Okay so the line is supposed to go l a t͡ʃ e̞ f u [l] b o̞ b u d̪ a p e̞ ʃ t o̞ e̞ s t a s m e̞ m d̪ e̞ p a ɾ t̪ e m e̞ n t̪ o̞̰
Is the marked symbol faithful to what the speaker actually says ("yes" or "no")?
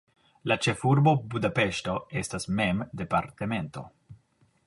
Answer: no